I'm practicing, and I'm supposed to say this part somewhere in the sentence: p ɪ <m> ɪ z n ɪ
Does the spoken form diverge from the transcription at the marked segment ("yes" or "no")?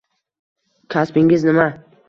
yes